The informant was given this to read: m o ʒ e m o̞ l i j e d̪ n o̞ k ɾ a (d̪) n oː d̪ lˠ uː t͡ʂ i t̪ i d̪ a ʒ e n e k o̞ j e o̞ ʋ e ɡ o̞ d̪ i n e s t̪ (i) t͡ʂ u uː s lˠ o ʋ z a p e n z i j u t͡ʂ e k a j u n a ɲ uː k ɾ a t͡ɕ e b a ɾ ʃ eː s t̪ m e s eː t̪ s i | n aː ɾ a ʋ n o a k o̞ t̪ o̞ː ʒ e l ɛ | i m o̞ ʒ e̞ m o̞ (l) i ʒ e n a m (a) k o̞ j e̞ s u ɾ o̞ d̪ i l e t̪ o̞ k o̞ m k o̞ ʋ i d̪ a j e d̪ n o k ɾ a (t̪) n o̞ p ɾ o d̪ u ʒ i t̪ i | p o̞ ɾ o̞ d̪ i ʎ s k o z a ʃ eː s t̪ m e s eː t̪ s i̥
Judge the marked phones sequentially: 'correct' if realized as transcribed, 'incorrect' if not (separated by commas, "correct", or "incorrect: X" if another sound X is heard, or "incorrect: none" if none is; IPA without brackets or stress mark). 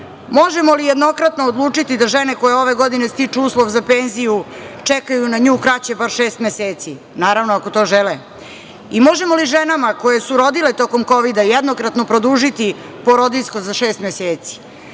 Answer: incorrect: t̪, correct, correct, correct, correct